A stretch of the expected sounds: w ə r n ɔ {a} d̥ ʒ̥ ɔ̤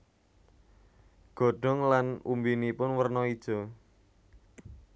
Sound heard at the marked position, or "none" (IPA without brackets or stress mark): i